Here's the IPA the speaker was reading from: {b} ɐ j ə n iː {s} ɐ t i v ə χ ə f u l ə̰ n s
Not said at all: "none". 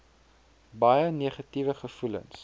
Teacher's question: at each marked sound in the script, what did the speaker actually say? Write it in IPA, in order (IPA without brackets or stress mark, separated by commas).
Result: b, χ